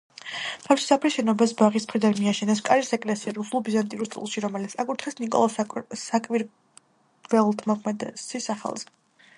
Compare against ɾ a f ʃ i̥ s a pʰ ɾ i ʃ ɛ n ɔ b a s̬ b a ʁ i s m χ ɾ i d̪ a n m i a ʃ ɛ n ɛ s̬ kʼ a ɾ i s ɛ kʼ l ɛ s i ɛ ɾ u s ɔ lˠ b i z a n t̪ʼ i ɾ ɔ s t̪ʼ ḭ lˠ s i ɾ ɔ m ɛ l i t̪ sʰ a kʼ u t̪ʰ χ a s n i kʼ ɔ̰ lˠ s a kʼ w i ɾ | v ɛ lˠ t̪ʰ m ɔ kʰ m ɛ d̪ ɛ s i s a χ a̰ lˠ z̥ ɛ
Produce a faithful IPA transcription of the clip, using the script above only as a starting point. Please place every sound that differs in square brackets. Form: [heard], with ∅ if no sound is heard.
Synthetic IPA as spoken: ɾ a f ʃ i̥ s a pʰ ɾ i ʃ ɛ n ɔ b a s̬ b a ʁ i s m χ ɾ i d̪ a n m i a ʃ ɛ n ɛ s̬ kʼ a ɾ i s ɛ kʼ l ɛ s i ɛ ɾ u s [u] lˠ b i z a n t̪ʼ i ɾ [u] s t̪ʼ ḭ lˠ [ʃ] i ɾ ɔ m ɛ l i t̪ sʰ a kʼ u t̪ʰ χ [ɛ] s n i kʼ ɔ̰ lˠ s a kʼ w i ɾ | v ɛ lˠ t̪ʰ m ɔ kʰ m ɛ d̪ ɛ s i s a χ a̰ lˠ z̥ ɛ

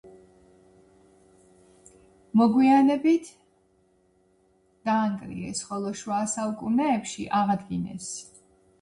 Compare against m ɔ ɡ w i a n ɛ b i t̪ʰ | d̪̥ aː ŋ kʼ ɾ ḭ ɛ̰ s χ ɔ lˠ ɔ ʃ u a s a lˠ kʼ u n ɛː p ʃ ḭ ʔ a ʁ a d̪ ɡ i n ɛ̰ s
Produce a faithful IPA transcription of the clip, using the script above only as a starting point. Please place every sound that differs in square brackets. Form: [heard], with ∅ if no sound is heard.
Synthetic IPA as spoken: m ɔ ɡ w i a n ɛ b i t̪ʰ | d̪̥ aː ŋ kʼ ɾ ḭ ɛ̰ s χ ɔ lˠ ɔ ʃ [w] a s a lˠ kʼ u n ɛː p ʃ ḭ ʔ a ʁ a d̪ ɡ i n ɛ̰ s

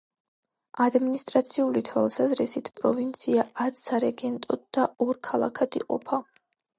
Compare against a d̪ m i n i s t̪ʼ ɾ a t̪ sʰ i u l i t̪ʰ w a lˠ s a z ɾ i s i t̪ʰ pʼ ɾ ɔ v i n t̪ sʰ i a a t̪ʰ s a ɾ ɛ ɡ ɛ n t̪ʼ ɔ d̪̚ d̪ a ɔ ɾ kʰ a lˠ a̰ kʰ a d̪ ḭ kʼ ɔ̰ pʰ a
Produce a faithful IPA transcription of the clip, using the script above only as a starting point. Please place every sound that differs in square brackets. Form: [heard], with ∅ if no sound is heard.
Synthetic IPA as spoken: a d̪ m i n i s t̪ʼ ɾ a t̪ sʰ i u l i t̪ʰ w a lˠ s a z ɾ i s i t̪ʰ pʼ ɾ ɔ v i n t̪ sʰ i a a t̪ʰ s a ɾ ɛ ɡ ɛ n t̪ʼ ɔ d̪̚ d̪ a ɔ ɾ kʰ a lˠ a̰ kʰ a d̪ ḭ [qʼ] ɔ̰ pʰ a

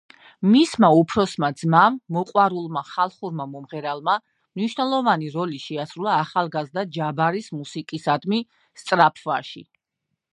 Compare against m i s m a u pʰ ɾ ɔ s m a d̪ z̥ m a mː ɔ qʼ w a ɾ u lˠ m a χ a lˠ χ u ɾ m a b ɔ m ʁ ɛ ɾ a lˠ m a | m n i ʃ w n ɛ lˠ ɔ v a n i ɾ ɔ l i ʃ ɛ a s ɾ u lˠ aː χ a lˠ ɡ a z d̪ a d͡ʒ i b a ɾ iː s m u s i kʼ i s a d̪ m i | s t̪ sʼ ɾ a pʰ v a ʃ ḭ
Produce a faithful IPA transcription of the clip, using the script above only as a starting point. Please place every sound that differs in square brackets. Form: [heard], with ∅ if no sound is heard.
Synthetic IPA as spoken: m i s m a u pʰ ɾ ɔ s m a d̪ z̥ m a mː ɔ qʼ w a ɾ u lˠ m a χ a lˠ χ u ɾ m a [m] ɔ m ʁ ɛ ɾ a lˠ m a | m n i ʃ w n ɛ lˠ ɔ v a n i ɾ ɔ l i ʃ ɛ a s ɾ u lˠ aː χ a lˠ ɡ a z d̪ a d͡ʒ [a] b a ɾ [i] s m u s i kʼ i s a d̪ m i | s t̪ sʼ ɾ a pʰ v a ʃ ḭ

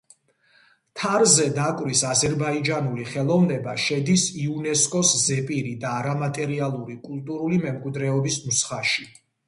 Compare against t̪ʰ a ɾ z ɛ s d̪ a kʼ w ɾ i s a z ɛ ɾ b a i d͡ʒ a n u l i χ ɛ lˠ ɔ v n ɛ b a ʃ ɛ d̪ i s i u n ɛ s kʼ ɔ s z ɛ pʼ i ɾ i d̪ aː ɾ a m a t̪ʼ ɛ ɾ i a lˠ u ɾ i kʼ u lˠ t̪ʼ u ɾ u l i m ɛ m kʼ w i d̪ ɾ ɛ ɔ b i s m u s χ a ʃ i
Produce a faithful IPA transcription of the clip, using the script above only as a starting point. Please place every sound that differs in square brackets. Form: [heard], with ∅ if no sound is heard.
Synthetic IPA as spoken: t̪ʰ a ɾ z ɛ [∅] d̪ a kʼ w ɾ i s a z ɛ ɾ b a i d͡ʒ a n u l i χ ɛ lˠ ɔ v n ɛ b a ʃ ɛ d̪ i s i u n ɛ s kʼ ɔ s z ɛ pʼ i ɾ i d̪ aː ɾ a m a t̪ʼ ɛ ɾ i a lˠ u ɾ i kʼ u lˠ t̪ʼ u ɾ u l i m ɛ m kʼ w i d̪ ɾ ɛ ɔ b i s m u s χ a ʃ i

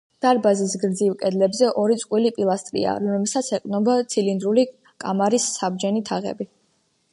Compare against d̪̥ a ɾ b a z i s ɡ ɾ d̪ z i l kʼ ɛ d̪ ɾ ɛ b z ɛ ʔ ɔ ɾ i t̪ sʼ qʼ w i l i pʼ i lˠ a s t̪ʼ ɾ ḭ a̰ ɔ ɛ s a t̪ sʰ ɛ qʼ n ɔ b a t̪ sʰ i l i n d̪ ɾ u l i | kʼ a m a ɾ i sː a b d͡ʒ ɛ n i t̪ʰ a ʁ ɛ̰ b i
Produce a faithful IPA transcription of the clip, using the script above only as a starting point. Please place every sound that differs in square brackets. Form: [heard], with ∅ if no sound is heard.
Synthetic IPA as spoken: d̪̥ a ɾ b a z i s ɡ ɾ d̪ z i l kʼ ɛ d̪ [l] ɛ b z ɛ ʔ ɔ ɾ i t̪ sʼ qʼ w i l i pʼ i lˠ a s t̪ʼ ɾ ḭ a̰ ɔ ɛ s a t̪ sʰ ɛ qʼ n ɔ b a t̪ sʰ i l i n d̪ ɾ u l i | kʼ a m a ɾ i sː a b d͡ʒ ɛ n i t̪ʰ a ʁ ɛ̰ b i

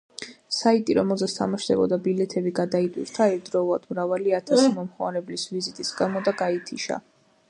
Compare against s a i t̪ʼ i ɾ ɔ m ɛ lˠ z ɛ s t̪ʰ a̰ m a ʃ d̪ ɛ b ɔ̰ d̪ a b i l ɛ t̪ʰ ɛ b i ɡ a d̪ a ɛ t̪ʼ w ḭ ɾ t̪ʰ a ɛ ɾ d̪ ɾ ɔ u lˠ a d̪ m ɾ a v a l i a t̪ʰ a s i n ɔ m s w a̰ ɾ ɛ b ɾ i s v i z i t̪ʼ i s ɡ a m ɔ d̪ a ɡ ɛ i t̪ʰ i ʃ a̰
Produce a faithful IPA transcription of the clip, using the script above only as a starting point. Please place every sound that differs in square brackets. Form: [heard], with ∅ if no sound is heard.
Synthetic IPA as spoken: s a i t̪ʼ i ɾ ɔ m ɛ lˠ z ɛ s t̪ʰ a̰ m a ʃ d̪ ɛ b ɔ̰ d̪ a b i l ɛ t̪ʰ ɛ b i ɡ a d̪ a [i] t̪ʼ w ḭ ɾ t̪ʰ a ɛ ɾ d̪ ɾ ɔ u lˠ a d̪ m ɾ a v a l i a t̪ʰ a s i [m] ɔ m [χ] w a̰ ɾ ɛ b [l] i s v i z i t̪ʼ i s ɡ a m ɔ d̪ a ɡ [a] i t̪ʰ i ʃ a̰

